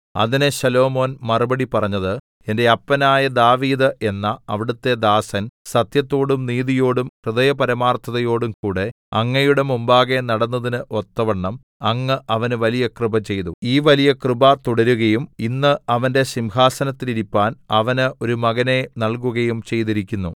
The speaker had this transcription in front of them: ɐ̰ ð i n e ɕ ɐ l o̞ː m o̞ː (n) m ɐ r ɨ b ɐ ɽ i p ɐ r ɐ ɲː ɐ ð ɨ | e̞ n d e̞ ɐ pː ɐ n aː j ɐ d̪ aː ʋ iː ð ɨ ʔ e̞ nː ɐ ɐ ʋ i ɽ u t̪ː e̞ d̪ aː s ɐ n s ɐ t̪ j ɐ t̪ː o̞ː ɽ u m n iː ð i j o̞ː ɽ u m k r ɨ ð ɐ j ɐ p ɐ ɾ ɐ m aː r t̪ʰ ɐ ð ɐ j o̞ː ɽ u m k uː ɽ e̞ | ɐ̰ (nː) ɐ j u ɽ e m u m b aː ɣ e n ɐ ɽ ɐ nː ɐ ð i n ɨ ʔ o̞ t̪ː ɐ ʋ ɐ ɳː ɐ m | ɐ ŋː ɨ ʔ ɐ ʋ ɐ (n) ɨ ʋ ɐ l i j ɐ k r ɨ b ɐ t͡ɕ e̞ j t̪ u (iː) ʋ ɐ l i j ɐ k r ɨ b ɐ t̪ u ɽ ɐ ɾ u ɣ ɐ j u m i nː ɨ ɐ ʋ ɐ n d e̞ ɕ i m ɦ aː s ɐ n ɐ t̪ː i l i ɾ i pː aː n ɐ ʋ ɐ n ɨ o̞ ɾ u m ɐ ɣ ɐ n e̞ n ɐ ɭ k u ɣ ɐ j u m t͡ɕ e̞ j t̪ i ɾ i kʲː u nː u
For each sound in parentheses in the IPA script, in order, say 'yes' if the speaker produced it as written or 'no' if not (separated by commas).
yes, no, yes, yes